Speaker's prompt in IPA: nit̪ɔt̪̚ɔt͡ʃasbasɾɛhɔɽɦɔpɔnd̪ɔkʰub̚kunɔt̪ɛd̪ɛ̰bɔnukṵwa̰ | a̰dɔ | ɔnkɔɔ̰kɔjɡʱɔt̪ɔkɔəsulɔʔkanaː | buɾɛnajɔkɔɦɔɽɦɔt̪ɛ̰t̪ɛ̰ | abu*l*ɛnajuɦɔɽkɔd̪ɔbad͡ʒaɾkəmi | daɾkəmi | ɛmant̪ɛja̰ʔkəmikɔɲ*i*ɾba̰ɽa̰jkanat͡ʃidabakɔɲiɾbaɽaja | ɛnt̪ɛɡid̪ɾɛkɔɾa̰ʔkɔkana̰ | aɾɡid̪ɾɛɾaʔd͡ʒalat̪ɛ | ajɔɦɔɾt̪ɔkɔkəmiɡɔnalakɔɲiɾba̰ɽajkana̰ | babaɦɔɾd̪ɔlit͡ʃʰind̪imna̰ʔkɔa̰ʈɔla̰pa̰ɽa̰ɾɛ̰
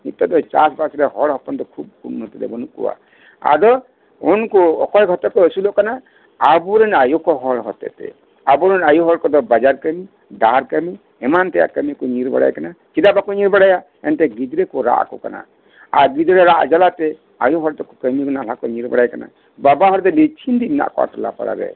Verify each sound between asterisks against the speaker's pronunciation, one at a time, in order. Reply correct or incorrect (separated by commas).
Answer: incorrect, correct